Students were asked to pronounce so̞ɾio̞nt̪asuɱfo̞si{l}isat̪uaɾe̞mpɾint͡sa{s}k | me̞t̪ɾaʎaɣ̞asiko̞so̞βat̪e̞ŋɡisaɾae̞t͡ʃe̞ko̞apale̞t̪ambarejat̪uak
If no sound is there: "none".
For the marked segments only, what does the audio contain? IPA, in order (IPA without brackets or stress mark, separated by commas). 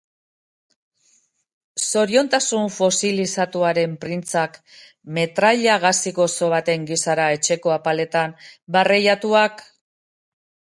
l, none